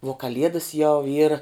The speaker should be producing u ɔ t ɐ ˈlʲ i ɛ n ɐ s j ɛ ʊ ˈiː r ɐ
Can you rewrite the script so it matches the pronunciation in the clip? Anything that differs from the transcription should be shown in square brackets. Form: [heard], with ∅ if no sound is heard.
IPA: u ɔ [k] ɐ ˈlʲ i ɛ [d] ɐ s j ɛ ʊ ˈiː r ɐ